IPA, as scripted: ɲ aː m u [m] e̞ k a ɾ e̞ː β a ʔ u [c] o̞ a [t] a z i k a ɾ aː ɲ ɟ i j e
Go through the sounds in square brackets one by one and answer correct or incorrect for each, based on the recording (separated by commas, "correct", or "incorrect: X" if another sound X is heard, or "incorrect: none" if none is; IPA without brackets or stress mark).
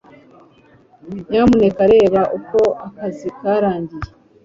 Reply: incorrect: n, incorrect: k, incorrect: k